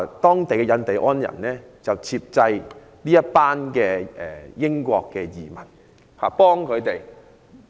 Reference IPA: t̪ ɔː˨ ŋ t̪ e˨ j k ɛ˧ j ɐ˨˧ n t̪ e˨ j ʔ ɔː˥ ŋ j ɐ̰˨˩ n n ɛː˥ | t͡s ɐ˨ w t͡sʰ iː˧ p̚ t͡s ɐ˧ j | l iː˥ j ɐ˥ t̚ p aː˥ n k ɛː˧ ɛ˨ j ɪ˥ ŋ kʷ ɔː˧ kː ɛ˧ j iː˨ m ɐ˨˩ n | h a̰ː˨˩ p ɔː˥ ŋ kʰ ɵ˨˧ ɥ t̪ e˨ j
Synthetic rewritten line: t̪ ɔː˥ ŋ t̪ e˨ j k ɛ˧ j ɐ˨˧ n t̪ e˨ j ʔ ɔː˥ n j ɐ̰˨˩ n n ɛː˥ | t͡s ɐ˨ w t͡sʰ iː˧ p̚ t͡s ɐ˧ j | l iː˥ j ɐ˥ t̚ p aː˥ n k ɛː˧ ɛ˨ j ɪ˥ ŋ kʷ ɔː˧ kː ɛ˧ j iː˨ m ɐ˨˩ n | h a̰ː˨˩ p ɔː˥ ŋ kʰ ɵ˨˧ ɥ t̪ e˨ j